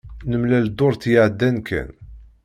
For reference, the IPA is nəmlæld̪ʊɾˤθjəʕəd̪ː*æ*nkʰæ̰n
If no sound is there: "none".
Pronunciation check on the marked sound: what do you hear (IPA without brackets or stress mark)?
æ